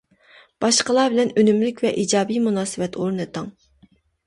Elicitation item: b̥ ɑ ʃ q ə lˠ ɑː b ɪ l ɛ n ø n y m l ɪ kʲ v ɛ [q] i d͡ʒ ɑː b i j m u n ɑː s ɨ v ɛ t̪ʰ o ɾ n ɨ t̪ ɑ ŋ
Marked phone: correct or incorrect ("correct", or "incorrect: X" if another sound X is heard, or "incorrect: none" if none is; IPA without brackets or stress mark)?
incorrect: ʔ